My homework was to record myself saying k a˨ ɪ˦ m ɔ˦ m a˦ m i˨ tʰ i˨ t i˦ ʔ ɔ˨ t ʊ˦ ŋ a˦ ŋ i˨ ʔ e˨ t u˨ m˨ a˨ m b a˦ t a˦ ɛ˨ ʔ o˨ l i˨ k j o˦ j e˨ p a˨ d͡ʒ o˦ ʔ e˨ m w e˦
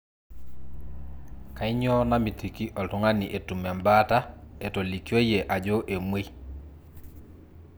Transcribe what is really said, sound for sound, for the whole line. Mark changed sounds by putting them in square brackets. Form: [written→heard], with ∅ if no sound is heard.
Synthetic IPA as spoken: k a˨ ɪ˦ [m→ɲ] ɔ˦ [m→n] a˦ m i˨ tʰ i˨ [t→k] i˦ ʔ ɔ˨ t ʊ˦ ŋ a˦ [ŋ→n] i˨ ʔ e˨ t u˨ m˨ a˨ m b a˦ t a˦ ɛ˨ [ʔ→t] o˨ l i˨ k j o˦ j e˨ [p→ʔ] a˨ d͡ʒ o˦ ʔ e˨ m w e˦